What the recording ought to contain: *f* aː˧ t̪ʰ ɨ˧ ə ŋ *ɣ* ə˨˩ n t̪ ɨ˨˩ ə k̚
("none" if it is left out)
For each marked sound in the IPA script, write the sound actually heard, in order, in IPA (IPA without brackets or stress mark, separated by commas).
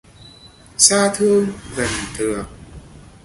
s, ɣ